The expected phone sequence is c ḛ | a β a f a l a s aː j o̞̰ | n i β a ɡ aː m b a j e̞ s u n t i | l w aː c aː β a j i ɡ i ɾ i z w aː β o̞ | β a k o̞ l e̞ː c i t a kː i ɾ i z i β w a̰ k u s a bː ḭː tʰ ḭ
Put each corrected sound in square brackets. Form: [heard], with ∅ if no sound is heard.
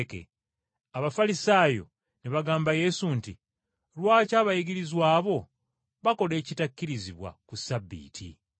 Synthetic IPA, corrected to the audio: [k] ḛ | a β a f a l [i] s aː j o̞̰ | n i β a ɡ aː m b a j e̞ s u n t i | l w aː c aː β a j i ɡ i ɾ i z w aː β o̞ | β a k o̞ l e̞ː c i t a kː i ɾ i z i β w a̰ k u s a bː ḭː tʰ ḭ